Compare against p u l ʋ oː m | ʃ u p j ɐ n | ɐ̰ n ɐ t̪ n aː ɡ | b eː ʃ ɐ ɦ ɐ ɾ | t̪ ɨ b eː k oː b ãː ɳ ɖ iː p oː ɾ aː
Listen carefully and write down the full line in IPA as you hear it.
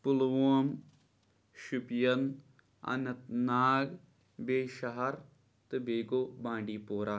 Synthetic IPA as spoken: p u l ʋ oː m | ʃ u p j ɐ n | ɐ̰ n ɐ t̪ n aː ɡ | b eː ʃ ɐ ɦ ɐ ɾ | t̪ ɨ b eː ɡ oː b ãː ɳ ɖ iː p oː ɾ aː